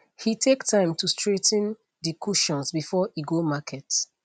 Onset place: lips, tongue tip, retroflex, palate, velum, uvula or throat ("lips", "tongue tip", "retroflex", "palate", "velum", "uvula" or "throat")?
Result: throat